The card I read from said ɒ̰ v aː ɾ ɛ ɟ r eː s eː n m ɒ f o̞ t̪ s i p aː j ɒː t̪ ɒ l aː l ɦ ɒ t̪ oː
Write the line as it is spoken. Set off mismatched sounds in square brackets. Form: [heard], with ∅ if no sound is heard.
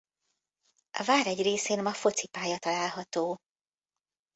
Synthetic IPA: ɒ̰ v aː ɾ ɛ ɟ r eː s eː n m ɒ f o̞ t̪ s i p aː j [ɒ] t̪ ɒ l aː l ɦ ɒ t̪ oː